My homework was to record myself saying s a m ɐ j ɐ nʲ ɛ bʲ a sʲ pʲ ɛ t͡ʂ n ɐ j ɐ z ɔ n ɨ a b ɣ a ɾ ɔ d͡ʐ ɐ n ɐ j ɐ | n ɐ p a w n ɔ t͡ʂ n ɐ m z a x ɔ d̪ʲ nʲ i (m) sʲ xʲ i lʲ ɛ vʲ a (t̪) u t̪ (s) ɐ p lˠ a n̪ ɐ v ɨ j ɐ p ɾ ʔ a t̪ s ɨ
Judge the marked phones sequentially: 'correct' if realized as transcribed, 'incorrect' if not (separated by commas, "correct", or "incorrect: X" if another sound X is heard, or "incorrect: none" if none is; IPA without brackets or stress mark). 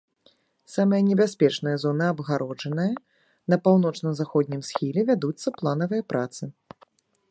correct, incorrect: d̪, incorrect: sː